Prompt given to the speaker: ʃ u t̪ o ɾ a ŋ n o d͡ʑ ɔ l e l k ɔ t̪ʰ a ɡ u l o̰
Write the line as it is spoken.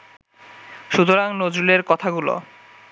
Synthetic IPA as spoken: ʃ u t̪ o ɾ a ŋ n o d͡ʑ u l e ɾ k ɔ t̪ʰ a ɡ u l o̰